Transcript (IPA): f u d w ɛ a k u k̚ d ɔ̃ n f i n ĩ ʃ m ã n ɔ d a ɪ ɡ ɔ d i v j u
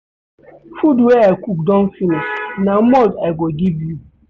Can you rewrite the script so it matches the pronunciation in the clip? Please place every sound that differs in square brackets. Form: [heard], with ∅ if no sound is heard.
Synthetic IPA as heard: f u d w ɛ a k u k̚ d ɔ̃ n f i n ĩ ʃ [n] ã [m] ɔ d a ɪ ɡ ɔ [ɡ] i v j u